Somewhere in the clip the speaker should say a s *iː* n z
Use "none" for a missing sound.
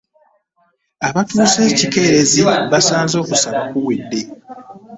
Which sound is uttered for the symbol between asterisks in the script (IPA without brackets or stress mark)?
aː